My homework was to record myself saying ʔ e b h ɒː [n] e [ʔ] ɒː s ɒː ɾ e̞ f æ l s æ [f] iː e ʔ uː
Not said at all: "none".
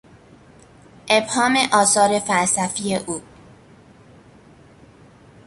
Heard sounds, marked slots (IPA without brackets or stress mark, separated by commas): m, ʔ, f